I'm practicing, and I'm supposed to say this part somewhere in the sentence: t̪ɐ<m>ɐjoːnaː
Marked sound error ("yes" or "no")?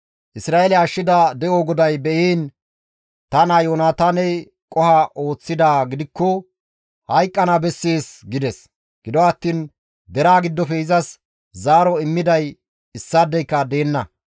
yes